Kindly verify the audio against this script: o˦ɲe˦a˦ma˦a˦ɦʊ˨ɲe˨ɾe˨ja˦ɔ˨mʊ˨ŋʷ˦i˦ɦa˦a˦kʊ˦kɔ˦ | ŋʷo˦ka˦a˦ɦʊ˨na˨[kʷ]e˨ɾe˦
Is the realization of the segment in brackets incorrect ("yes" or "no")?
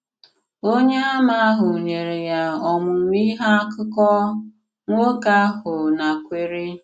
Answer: no